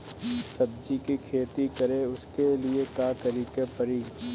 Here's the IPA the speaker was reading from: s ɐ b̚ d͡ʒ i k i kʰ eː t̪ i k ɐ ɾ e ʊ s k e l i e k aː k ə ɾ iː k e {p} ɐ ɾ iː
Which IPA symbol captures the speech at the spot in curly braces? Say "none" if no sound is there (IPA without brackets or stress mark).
p